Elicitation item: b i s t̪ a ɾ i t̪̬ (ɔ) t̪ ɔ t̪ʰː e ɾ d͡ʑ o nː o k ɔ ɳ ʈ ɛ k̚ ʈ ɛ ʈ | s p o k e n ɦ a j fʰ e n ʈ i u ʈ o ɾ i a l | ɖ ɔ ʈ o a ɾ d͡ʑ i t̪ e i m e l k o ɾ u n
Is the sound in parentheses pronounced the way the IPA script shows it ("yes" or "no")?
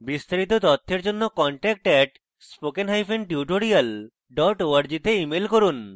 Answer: no